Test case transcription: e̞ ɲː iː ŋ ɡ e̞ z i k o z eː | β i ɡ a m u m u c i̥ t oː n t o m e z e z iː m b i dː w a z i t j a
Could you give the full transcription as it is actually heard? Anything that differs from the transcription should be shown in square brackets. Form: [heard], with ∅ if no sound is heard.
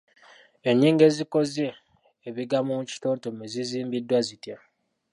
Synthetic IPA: e̞ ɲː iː ŋ ɡ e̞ z i k o z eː | β i ɡ a m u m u c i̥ t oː n t o m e z [i] z iː m b i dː w a z i t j a